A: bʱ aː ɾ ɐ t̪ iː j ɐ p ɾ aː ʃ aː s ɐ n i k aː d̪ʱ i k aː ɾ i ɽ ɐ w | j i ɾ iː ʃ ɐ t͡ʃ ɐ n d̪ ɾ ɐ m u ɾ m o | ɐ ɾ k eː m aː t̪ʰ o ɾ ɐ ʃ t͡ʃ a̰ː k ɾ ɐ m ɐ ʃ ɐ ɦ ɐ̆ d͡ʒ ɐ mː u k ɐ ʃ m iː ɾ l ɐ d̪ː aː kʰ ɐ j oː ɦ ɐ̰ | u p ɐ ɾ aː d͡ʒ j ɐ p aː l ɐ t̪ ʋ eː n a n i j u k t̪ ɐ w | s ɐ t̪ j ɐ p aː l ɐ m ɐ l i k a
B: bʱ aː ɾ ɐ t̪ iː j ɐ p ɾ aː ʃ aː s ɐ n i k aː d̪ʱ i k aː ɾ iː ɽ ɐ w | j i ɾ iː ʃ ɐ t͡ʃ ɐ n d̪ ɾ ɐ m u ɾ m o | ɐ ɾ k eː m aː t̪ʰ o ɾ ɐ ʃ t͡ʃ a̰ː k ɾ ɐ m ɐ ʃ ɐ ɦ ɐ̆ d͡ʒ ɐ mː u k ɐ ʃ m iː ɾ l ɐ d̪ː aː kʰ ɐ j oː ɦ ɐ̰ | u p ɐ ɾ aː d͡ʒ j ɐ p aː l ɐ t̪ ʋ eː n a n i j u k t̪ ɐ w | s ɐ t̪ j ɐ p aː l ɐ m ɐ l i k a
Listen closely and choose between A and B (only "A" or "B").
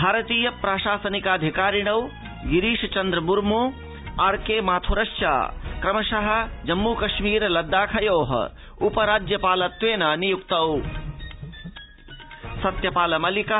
A